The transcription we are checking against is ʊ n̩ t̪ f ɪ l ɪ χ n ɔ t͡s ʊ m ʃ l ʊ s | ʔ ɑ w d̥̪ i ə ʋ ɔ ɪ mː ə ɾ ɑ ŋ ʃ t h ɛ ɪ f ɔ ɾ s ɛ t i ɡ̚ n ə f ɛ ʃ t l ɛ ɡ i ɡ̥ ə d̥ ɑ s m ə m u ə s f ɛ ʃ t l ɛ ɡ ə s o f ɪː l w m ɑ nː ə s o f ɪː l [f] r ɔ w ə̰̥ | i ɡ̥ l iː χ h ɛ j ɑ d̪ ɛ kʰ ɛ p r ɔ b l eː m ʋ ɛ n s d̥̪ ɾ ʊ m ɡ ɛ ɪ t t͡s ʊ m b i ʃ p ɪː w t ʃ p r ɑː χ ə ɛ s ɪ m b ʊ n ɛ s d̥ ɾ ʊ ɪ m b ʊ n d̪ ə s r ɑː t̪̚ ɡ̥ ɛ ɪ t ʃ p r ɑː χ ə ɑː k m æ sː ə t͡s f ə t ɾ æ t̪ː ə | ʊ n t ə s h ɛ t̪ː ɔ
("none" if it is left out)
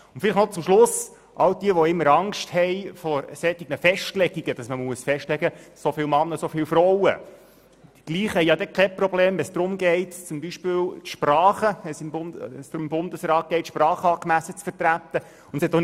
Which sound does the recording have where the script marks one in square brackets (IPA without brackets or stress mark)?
f